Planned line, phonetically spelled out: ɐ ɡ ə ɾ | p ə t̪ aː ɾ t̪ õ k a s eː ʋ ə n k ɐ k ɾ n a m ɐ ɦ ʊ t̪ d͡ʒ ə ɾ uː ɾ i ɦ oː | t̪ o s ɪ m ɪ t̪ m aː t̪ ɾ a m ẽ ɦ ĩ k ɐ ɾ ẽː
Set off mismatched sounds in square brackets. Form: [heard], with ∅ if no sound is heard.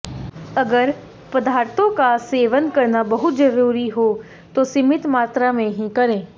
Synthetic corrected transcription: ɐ ɡ ə ɾ | p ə [d̪] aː ɾ t̪ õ k a s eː ʋ ə n k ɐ [∅] ɾ n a [b] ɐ ɦ ʊ t̪ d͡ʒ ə ɾ uː ɾ i ɦ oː | t̪ o s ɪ m ɪ t̪ m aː t̪ ɾ a m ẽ ɦ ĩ k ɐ ɾ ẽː